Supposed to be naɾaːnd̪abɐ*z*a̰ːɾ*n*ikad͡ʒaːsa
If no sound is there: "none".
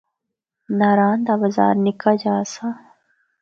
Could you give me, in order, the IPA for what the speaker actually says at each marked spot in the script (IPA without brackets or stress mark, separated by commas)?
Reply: z, n